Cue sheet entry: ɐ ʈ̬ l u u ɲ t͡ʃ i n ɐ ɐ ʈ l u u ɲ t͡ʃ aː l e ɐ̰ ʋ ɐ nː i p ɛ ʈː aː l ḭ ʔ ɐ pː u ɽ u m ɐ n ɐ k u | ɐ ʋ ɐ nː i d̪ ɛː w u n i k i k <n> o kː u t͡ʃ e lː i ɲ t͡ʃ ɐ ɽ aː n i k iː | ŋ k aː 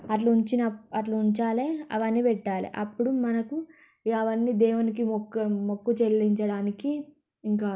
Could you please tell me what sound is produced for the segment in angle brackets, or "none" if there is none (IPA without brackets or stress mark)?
m